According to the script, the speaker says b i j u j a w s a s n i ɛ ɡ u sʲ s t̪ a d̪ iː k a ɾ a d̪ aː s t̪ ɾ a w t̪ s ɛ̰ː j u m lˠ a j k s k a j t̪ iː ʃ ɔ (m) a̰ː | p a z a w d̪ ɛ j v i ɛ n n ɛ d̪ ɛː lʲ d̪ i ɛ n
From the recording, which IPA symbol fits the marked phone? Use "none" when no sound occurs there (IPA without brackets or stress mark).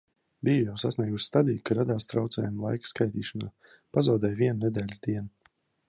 n